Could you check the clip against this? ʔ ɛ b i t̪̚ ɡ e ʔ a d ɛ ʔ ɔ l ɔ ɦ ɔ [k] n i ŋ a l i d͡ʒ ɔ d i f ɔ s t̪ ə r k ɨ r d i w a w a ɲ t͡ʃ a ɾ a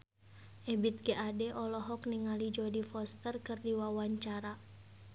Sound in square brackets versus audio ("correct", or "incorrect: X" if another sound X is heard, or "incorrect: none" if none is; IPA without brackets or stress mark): correct